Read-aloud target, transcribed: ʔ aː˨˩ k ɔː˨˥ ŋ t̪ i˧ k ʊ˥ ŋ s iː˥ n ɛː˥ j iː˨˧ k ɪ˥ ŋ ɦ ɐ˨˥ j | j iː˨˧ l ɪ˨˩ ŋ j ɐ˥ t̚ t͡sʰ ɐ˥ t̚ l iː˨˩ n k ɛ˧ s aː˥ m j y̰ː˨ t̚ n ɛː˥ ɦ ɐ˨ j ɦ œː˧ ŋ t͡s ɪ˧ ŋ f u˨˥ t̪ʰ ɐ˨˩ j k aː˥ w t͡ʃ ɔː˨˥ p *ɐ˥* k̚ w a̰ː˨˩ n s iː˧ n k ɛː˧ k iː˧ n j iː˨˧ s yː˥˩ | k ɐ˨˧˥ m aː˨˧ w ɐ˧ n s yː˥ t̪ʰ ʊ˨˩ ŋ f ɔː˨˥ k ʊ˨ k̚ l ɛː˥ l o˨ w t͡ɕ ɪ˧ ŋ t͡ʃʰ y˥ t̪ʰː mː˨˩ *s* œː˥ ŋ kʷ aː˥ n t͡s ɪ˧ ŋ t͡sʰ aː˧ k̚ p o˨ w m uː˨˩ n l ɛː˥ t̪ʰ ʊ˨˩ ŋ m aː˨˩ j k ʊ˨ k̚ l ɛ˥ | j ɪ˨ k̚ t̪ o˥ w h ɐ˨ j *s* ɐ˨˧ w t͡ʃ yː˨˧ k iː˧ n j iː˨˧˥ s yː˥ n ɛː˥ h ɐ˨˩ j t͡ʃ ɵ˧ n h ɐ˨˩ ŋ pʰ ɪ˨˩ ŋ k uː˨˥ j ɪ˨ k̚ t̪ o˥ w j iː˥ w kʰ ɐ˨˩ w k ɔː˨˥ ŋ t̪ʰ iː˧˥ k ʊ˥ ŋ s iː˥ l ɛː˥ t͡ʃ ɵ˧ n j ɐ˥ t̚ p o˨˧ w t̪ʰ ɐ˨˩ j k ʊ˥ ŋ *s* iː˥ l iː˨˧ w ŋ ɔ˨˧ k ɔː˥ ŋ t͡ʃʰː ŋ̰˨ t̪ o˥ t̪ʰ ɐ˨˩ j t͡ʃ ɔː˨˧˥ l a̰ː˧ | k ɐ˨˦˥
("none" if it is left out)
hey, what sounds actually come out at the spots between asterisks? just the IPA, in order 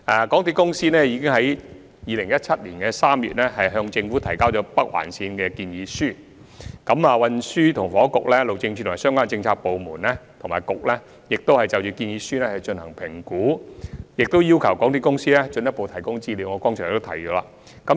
ɐ˥, s, t͡s, t͡s

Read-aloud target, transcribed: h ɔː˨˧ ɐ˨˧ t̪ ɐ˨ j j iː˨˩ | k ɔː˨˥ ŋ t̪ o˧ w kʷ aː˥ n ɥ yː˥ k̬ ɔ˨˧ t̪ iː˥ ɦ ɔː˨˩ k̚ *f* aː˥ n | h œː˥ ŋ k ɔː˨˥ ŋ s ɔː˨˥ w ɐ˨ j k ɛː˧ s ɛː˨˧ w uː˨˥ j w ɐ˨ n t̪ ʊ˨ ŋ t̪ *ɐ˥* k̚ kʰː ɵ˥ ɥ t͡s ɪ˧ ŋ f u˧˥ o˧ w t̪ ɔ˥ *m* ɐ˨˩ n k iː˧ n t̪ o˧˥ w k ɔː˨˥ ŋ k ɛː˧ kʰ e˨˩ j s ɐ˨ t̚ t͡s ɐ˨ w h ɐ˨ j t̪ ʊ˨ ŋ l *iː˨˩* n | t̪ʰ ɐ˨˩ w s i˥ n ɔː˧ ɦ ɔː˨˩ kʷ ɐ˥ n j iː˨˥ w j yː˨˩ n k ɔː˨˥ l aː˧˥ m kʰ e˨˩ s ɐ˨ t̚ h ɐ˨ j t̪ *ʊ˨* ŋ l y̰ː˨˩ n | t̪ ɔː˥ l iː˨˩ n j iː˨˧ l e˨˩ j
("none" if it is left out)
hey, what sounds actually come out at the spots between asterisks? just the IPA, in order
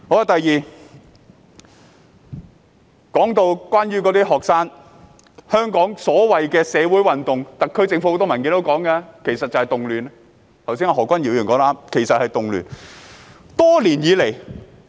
s, ɐ˨, m, yː˨˩, ʊ˨

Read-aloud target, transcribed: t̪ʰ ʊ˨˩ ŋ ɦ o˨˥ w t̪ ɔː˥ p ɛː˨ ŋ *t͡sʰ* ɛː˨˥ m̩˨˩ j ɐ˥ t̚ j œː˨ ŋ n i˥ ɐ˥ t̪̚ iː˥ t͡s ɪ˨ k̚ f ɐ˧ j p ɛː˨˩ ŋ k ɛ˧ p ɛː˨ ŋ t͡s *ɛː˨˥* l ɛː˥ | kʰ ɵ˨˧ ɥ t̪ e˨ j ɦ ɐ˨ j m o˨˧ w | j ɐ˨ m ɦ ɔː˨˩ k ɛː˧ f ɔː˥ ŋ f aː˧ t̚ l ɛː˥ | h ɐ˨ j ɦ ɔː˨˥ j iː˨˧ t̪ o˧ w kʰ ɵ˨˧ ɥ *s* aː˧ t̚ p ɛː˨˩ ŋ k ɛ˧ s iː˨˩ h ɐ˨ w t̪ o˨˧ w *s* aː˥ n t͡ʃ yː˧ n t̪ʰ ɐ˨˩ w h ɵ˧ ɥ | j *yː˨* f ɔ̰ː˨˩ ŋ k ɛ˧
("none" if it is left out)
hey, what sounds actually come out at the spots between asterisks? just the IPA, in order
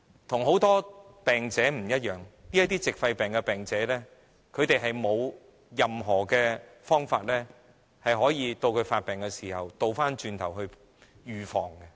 t͡s, ɛː˨˥, f, f, yː˨

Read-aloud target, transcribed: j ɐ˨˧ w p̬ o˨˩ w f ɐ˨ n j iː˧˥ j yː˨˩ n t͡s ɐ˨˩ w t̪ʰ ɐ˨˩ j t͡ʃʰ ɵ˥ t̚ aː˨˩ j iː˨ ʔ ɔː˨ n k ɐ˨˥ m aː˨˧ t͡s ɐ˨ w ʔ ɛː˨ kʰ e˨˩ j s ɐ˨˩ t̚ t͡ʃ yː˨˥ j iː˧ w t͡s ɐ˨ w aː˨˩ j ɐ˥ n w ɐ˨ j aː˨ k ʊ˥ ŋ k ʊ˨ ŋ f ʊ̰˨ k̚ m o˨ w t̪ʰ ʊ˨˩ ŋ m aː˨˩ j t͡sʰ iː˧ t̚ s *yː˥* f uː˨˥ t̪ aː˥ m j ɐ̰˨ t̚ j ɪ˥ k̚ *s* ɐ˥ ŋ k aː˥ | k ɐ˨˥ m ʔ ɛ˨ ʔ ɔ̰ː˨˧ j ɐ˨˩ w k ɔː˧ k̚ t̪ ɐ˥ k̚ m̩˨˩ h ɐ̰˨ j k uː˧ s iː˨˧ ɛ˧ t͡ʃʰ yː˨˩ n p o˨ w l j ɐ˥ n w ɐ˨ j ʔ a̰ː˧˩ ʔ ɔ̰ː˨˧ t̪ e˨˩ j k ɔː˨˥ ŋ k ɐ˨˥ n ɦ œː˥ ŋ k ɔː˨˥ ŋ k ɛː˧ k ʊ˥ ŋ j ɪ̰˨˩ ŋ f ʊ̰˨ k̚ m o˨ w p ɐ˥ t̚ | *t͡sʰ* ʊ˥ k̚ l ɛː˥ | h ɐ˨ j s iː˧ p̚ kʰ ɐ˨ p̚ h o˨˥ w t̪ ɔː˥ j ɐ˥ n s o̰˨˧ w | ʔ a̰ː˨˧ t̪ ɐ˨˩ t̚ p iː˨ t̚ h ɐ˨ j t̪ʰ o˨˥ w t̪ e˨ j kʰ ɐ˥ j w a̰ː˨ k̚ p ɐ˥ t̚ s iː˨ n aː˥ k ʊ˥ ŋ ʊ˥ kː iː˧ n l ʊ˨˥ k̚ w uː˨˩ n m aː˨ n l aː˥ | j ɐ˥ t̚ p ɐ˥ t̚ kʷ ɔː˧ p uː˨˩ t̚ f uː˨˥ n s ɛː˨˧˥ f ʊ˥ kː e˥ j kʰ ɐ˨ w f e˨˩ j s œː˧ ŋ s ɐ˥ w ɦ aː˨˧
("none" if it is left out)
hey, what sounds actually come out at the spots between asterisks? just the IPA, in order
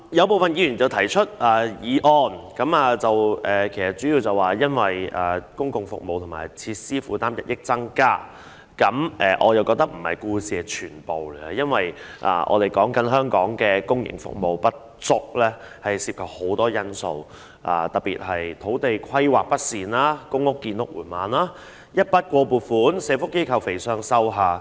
iː˥, t͡s, t͡s

